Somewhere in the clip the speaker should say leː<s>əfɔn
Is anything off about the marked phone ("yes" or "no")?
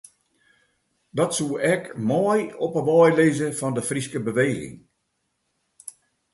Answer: yes